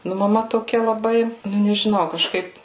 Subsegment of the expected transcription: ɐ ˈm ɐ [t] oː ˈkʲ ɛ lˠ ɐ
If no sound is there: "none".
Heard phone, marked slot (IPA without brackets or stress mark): t